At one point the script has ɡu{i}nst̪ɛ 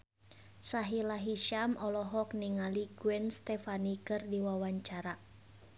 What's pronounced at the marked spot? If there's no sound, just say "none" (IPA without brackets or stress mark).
ɛ